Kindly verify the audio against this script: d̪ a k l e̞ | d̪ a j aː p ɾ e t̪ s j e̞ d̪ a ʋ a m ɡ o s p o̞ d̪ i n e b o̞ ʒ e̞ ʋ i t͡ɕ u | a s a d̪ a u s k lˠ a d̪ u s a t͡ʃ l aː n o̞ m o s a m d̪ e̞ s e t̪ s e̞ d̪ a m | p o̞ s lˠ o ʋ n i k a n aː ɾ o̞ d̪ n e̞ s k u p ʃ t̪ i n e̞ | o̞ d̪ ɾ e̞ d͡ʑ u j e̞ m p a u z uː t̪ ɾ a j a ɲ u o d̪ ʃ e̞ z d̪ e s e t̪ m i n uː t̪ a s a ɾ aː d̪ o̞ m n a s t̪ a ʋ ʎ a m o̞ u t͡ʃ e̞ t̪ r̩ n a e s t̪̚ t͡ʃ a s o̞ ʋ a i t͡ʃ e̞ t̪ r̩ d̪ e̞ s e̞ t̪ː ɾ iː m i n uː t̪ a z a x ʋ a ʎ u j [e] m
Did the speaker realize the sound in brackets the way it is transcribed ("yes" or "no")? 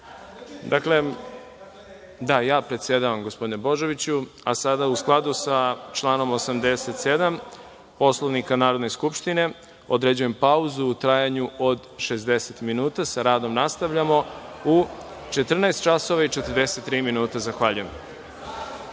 yes